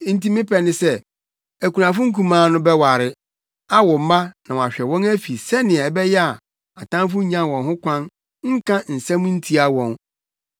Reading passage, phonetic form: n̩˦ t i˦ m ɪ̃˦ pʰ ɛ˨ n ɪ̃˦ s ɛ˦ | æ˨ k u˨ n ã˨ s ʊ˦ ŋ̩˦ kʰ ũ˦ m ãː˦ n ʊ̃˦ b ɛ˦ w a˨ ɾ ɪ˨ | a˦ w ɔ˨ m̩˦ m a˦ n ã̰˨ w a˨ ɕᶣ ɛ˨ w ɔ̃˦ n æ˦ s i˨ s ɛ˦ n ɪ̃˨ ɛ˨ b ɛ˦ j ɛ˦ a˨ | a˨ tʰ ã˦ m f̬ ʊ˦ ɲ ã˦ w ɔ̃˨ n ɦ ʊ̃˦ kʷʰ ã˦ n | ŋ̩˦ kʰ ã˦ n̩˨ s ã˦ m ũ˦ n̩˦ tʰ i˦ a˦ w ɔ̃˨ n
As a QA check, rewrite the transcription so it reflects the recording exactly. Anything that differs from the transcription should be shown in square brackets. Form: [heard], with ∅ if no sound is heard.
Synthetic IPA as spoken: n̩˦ t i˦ m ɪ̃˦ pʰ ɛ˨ n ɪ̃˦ s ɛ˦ | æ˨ k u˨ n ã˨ [f] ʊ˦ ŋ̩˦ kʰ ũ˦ m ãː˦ n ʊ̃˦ b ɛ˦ w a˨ ɾ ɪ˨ | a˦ w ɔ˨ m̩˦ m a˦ n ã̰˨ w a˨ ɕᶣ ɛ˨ w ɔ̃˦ n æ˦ [f] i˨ s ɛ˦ n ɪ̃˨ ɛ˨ b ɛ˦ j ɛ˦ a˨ | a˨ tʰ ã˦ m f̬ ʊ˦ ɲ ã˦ w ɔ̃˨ n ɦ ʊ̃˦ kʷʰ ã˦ n | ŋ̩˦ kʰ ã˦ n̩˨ s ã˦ m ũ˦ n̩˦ tʰ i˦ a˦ w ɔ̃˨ n